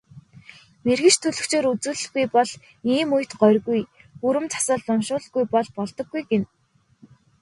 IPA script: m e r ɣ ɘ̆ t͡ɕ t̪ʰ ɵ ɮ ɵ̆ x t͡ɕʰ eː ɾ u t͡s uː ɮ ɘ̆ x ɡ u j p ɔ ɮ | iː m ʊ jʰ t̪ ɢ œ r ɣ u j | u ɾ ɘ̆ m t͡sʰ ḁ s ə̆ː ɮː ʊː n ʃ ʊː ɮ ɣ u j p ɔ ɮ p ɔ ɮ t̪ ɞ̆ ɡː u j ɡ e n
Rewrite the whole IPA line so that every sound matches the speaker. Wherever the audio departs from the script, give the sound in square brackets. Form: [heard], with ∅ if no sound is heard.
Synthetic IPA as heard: m e r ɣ ɘ̆ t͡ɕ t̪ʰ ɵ ɮ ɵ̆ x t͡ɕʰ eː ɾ u t͡s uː ɮ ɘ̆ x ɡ u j p ɔ ɮ | iː m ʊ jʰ t̪ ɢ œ r ɣ u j | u ɾ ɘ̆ m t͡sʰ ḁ s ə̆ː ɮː [ʊ] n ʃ ʊː ɮ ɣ u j p ɔ ɮ p ɔ ɮ t̪ ɞ̆ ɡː u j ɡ e n